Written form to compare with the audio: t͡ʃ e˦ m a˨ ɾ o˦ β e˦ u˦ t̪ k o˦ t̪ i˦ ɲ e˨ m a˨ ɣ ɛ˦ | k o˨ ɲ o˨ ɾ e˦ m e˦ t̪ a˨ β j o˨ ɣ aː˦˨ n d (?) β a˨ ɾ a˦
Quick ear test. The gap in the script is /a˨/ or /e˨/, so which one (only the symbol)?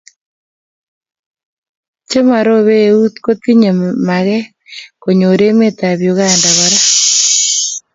a˨